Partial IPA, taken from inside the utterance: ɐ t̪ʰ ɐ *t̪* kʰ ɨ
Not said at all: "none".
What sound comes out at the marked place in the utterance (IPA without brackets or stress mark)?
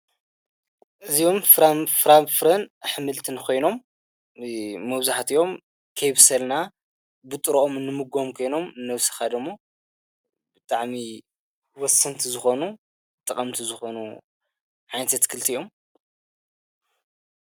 t̪